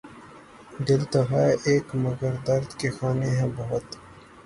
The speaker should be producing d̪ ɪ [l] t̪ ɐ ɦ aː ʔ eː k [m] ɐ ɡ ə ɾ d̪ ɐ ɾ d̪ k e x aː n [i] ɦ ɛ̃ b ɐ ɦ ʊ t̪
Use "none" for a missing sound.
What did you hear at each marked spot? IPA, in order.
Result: l, m, e

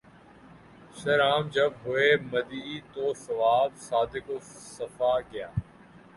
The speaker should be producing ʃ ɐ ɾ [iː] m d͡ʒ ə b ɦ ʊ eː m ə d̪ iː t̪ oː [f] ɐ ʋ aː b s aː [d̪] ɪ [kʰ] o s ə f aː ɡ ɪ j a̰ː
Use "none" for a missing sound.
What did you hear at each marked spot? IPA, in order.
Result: aː, s, d̪, k

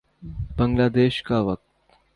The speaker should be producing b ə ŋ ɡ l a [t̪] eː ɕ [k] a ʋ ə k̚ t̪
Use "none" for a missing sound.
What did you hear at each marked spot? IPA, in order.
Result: d̪, k

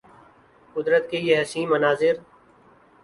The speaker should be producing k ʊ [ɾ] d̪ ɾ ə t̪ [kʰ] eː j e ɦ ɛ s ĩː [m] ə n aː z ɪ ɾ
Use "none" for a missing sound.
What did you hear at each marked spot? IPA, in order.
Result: none, k, m

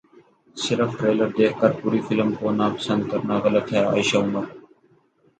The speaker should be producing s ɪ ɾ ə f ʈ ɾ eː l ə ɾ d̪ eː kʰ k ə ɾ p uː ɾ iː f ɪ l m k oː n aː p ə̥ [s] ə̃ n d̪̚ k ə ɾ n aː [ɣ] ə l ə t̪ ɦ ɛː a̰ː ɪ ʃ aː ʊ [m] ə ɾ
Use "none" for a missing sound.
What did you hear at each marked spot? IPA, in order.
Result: s, ɣ, m

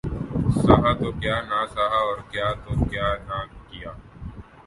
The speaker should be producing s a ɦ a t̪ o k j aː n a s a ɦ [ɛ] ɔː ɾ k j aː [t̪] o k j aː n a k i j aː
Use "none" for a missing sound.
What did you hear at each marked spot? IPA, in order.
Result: a, t̪

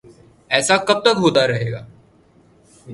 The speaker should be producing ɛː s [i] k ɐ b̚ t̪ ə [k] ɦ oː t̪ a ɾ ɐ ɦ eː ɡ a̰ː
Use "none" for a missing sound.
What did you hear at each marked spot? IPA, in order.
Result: a, k

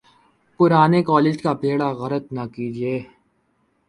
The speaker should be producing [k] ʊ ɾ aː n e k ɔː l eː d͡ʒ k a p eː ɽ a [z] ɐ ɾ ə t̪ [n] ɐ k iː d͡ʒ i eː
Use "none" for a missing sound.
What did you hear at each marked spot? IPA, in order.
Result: p, ɣ, n

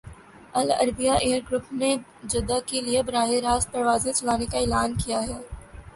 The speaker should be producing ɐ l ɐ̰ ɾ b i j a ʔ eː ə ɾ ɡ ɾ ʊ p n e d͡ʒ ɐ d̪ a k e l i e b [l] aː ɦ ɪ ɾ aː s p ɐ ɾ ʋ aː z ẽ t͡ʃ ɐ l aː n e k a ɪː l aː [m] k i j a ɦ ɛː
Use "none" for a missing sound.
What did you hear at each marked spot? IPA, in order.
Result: ɾ, n

